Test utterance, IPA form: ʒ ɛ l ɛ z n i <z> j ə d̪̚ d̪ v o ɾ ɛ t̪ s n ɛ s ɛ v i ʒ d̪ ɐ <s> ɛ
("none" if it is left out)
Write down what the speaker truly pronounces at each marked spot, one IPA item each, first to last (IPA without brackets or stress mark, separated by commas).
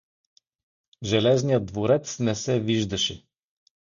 none, ʃ